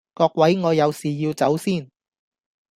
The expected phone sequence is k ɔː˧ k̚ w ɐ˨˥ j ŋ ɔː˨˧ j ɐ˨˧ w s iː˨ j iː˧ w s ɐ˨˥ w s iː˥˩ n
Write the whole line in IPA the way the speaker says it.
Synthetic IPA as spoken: k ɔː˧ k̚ w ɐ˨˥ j ŋ ɔː˨˧ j ɐ˨˧ w s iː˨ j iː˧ w t͡s ɐ˨˥ w s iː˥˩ n